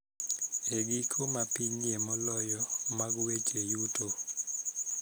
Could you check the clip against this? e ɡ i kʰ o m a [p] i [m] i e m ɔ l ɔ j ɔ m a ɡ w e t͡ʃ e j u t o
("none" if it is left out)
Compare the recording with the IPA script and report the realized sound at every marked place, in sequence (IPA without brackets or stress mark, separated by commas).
p, ɲ